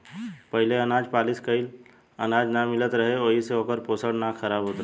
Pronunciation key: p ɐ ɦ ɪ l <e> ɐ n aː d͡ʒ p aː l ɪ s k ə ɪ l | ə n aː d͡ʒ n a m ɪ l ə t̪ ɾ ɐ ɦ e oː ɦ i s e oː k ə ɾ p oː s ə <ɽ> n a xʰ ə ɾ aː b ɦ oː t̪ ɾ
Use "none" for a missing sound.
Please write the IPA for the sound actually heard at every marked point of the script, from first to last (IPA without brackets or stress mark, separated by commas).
e, ɽ